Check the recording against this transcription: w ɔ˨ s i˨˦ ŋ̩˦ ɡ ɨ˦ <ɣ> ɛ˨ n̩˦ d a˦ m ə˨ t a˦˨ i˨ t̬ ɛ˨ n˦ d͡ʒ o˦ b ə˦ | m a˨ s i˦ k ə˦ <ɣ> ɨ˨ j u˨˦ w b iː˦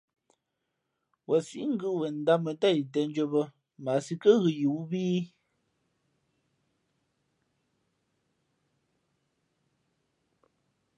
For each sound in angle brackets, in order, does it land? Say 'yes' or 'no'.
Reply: no, yes

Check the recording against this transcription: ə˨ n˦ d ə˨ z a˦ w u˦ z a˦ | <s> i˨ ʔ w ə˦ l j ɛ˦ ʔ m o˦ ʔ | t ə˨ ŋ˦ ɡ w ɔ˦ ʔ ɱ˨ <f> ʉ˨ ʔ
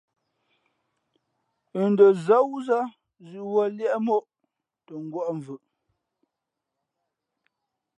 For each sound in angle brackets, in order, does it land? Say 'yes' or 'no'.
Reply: no, no

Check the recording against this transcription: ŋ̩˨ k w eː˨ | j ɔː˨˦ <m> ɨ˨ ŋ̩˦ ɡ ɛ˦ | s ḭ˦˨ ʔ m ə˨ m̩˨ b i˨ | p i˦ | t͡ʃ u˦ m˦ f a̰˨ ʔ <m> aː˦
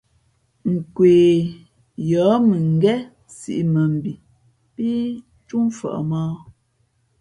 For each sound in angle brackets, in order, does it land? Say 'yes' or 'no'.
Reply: yes, yes

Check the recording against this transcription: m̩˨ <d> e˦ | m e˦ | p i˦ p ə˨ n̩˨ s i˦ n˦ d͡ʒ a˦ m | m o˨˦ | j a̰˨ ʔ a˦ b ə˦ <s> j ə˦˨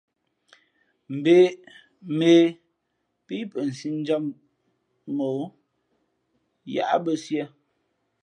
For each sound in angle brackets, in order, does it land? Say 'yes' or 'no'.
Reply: no, yes

